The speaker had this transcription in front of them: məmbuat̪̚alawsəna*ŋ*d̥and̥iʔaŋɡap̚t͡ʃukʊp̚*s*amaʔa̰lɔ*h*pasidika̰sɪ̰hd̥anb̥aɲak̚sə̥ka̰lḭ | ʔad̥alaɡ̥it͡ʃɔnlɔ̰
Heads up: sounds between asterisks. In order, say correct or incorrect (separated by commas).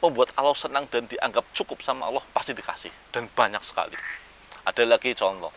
correct, correct, correct